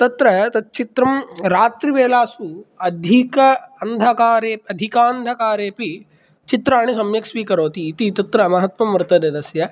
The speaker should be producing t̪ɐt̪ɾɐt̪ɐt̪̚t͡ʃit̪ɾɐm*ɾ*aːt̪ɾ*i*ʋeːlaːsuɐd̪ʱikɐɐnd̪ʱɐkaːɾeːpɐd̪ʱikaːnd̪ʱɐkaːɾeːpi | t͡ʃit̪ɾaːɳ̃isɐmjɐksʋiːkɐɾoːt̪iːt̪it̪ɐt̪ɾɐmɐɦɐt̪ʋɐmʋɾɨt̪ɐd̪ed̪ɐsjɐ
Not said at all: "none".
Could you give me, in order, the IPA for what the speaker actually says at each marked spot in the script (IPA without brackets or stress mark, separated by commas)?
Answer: ɾ, i